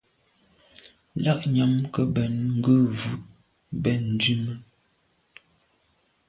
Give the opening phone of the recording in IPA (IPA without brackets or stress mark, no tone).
l